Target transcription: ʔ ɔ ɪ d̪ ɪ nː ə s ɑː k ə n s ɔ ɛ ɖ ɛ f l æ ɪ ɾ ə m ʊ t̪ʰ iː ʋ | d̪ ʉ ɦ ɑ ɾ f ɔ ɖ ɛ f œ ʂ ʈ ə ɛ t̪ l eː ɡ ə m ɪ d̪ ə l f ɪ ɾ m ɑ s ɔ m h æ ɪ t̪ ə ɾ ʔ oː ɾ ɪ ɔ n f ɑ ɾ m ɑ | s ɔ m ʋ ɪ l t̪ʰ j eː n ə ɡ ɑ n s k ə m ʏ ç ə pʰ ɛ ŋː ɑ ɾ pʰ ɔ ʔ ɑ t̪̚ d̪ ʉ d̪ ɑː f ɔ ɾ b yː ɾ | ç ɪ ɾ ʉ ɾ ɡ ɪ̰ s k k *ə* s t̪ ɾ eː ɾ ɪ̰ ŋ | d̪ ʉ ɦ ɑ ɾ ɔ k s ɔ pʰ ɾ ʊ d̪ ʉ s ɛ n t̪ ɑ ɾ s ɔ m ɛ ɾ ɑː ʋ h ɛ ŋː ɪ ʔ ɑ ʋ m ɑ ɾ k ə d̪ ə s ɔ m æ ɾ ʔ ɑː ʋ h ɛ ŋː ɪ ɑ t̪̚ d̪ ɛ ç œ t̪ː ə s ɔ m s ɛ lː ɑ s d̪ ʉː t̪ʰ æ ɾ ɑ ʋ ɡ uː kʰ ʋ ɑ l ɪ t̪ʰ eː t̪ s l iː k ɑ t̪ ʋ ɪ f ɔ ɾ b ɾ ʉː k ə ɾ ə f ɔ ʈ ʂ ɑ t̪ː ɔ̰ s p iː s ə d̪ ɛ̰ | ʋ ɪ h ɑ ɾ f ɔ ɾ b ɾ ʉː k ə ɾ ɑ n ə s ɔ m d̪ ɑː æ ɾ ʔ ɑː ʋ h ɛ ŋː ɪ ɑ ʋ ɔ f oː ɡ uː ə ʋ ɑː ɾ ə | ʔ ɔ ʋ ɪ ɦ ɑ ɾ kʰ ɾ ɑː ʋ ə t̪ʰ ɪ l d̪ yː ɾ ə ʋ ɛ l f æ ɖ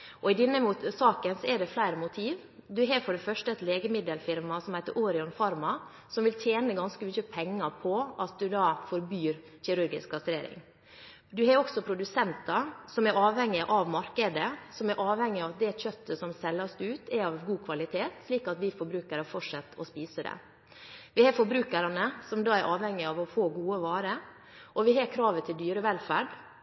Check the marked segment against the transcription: incorrect: ɑ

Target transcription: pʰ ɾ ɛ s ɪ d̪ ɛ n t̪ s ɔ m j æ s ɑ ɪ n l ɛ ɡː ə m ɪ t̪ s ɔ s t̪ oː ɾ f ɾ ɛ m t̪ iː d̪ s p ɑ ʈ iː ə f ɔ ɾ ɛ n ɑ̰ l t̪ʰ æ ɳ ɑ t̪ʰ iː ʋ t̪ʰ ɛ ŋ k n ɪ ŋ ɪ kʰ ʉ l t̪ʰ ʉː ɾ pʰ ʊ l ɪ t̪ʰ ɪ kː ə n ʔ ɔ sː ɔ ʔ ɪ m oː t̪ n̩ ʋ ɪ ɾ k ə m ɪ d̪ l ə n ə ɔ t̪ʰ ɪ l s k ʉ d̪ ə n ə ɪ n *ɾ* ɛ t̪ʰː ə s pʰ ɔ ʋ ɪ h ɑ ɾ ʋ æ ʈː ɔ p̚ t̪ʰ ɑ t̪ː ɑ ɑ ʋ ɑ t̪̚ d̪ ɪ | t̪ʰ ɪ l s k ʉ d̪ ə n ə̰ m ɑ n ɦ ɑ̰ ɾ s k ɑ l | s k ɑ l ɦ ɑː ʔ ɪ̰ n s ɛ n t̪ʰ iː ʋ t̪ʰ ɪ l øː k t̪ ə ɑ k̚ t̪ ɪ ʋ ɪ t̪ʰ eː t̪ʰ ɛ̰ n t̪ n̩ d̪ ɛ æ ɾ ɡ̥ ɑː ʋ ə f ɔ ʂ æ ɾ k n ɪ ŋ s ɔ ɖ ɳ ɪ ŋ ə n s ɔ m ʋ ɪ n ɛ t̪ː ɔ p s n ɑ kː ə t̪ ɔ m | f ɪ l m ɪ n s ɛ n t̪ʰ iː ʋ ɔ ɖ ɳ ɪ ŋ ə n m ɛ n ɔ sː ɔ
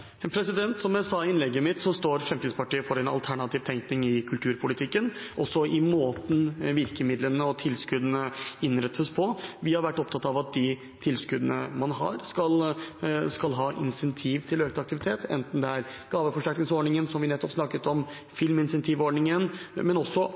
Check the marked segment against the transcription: correct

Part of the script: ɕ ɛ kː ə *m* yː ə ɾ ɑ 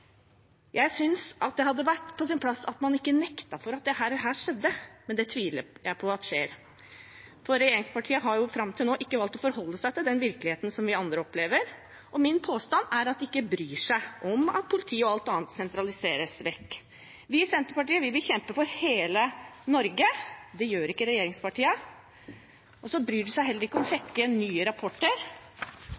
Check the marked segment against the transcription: incorrect: n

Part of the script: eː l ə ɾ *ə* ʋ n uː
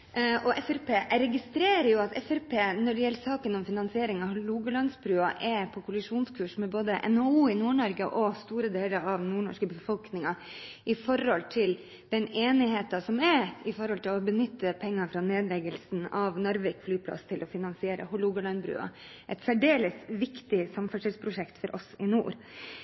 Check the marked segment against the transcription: incorrect: ɑ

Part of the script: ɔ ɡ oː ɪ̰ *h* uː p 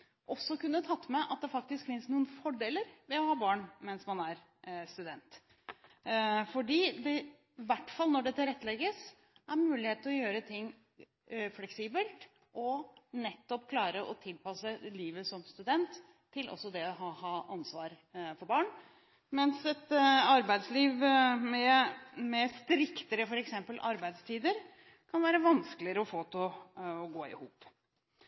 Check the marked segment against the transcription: correct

